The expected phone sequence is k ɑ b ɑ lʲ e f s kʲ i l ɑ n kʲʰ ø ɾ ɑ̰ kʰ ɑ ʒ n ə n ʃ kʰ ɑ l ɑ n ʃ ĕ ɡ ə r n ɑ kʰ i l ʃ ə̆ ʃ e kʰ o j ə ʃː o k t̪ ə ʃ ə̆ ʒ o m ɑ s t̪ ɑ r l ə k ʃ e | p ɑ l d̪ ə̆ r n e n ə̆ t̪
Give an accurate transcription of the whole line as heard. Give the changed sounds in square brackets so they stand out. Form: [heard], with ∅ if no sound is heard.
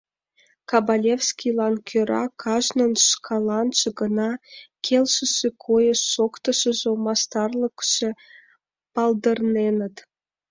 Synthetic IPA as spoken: k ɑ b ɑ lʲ e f s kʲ i l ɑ n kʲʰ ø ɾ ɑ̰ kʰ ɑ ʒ n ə n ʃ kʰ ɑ l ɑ n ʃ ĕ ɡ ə [∅] n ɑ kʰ [e] l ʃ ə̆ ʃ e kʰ o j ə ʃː o k t̪ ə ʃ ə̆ ʒ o m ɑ s t̪ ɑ r l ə k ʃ e | p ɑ l d̪ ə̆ r n e n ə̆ t̪